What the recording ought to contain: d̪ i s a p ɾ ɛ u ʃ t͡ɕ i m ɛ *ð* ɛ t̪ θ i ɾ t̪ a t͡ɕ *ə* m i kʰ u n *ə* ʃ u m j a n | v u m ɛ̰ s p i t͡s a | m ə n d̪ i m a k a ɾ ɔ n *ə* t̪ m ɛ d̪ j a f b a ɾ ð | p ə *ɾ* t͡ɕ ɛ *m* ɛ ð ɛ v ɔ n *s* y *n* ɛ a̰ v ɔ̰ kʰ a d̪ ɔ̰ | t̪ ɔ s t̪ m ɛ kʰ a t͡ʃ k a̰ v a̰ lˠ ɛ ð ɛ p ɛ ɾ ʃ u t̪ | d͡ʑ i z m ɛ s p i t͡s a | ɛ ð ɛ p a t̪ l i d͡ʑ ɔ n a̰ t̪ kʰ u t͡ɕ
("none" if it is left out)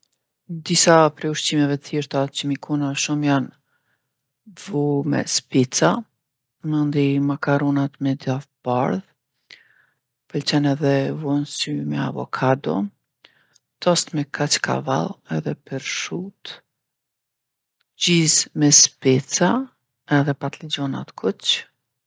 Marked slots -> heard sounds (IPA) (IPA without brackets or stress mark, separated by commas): v, ə, a, a, l, n, s, m